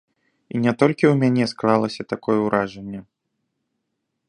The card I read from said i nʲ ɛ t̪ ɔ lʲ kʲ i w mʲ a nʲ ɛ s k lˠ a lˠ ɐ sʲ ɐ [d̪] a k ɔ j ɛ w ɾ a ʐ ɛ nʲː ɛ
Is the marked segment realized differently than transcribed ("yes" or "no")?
yes